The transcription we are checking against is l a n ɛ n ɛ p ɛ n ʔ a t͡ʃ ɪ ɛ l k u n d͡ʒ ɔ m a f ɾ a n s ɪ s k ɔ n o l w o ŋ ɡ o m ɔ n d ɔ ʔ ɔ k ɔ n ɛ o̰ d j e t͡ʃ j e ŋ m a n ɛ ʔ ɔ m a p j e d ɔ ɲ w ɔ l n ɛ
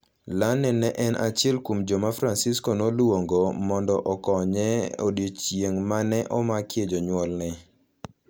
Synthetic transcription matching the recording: l a n ɛ n ɛ ʔ ɛ n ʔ a t͡ʃ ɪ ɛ l k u m d͡ʒ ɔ m a f ɾ a n s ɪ s k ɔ n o l w o ŋ ɡ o m ɔ n d ɔ ʔ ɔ k ɔ ɲ ɛ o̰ d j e t͡ʃ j e ŋ m a n ɛ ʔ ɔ m a k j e d͡ʒ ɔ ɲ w ɔ l n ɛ